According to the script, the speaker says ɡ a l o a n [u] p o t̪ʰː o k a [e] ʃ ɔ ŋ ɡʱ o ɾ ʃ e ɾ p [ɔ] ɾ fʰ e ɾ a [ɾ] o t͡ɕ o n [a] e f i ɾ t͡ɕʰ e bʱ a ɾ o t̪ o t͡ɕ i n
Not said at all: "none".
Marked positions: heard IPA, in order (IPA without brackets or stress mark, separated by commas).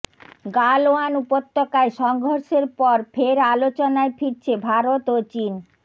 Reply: u, e, ɔ, l, a